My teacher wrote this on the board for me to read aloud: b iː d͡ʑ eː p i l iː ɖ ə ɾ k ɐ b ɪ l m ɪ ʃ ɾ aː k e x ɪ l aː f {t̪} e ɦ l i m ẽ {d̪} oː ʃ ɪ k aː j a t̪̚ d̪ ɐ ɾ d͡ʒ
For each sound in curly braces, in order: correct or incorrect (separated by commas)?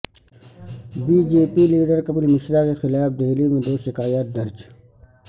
incorrect, correct